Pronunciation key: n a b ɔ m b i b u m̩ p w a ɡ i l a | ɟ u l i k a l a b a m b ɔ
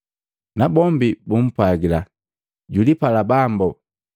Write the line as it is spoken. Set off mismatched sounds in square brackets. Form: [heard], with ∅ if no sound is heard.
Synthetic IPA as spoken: n a b ɔ m b i b u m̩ p w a ɡ i l a | ɟ u l i [p] a l a b a m b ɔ